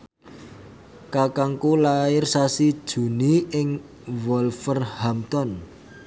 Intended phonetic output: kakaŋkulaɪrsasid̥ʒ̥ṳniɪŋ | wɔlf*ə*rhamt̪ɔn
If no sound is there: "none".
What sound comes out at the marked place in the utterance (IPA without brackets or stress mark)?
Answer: ə